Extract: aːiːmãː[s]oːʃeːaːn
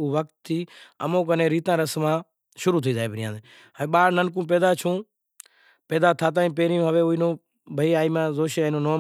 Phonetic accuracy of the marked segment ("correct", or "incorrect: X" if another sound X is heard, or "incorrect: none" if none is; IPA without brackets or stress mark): incorrect: z